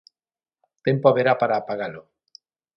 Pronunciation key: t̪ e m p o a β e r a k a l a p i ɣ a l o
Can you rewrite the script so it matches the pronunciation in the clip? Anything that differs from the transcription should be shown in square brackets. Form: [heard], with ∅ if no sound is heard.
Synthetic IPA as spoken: t̪ e m p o a β e [ɾ] a [p] a [ɾ] a p [a] ɣ a l o